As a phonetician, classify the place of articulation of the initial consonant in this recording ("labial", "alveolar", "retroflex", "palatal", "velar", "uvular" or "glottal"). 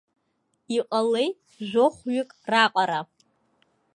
uvular